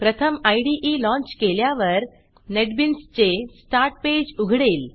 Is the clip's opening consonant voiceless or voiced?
voiceless